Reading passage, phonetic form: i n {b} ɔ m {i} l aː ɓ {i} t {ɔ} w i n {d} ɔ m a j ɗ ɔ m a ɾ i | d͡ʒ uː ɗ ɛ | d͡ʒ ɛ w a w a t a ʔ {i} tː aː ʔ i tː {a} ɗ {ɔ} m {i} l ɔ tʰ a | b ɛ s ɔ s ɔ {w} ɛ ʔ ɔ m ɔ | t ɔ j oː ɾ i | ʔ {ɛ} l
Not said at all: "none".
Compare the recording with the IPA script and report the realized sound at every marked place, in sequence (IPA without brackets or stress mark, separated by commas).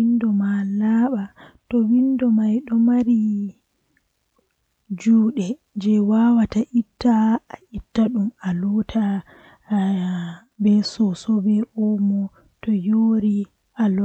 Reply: d, a, a, ɔ, d, i, a, u, a, b, a